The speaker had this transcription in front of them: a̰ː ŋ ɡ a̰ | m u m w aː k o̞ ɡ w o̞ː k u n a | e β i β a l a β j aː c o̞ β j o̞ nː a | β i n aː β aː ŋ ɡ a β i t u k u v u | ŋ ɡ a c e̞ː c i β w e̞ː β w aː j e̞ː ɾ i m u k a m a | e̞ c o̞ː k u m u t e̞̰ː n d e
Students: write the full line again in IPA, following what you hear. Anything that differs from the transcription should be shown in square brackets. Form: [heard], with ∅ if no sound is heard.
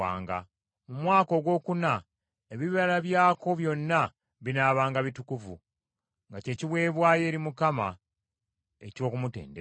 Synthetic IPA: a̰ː ŋ ɡ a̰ | m u m w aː k o̞ ɡ w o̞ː k u n a | e β i β a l a β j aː [k] o̞ β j o̞ nː a | β i n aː β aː ŋ ɡ a β i t u k u v u | ŋ ɡ a c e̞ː c i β w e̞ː β w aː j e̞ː ɾ i m u k a m a | e̞ c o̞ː k u m u t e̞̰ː n d e